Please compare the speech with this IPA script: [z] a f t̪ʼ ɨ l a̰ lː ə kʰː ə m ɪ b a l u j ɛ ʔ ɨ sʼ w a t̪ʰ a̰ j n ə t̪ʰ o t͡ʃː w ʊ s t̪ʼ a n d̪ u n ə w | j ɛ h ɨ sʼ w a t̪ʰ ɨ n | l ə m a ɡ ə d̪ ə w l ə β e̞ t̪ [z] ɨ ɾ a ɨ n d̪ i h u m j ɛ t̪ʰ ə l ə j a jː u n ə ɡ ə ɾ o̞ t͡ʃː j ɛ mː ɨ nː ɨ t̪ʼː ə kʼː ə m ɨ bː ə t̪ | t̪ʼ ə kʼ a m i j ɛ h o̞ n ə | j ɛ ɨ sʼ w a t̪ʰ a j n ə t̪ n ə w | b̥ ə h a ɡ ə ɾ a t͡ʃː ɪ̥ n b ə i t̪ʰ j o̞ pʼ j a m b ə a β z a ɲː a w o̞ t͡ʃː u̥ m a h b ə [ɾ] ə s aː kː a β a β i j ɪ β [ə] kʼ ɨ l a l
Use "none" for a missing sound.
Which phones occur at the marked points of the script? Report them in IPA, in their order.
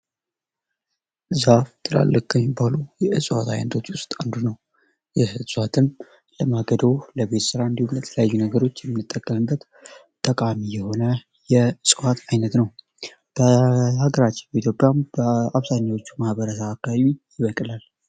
z, s, ɾ, ə

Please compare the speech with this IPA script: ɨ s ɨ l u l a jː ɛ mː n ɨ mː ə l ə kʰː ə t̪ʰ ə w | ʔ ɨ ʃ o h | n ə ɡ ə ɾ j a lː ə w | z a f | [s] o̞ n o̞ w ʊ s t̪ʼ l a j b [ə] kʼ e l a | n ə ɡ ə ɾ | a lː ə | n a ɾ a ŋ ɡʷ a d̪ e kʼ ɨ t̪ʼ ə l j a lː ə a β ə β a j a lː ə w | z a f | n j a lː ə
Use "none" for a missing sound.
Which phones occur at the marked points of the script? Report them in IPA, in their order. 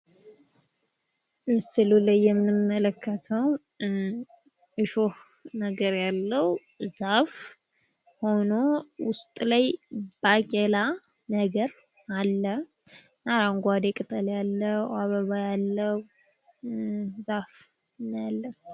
h, a

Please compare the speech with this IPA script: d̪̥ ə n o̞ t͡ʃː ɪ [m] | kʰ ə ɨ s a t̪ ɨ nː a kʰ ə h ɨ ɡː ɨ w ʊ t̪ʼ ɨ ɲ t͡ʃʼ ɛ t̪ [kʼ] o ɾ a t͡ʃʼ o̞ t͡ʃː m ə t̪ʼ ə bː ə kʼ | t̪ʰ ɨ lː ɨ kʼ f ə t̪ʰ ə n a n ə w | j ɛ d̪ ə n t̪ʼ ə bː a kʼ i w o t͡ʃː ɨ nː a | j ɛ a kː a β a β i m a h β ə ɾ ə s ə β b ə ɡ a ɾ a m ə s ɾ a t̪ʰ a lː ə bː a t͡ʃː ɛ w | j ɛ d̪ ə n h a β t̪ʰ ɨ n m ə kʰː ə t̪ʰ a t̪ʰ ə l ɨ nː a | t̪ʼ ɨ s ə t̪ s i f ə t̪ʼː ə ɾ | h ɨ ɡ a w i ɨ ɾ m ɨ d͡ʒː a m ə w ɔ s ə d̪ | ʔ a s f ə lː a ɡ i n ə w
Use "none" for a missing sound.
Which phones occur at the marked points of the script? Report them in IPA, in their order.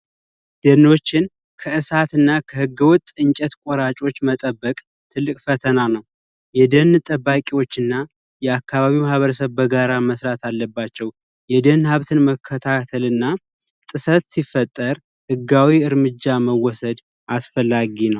n, kʼ

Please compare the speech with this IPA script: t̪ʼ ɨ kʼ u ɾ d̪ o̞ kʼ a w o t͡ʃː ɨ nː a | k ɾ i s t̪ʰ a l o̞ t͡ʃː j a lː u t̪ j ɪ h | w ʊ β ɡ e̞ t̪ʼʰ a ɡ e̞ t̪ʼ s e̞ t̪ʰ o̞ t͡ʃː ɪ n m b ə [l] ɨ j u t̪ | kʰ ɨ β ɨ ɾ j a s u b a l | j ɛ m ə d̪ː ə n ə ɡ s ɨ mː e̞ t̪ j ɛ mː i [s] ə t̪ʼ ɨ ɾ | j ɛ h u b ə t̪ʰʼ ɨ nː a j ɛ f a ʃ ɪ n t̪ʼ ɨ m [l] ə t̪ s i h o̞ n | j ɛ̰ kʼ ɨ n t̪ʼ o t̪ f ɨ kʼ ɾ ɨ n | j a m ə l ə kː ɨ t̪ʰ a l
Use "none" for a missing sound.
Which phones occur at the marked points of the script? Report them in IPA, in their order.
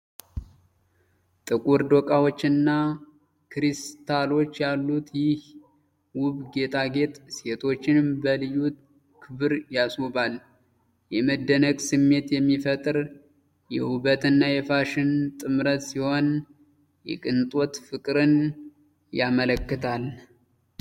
l, f, ɾ

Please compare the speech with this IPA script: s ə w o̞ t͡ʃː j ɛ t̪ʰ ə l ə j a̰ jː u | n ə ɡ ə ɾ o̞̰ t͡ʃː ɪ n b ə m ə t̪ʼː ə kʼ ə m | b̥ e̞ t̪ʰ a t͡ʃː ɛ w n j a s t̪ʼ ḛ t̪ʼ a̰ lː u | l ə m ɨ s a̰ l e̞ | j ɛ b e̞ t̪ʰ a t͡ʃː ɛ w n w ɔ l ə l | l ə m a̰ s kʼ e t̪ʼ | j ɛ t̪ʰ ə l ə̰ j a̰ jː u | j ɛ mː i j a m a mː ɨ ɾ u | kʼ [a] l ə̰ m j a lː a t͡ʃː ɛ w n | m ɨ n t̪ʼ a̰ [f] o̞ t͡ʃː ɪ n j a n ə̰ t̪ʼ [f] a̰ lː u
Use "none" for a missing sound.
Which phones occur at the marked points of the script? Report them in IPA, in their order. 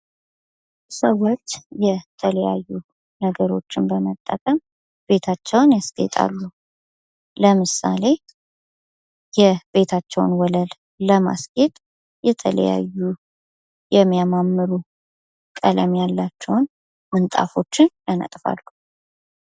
ə, f, f

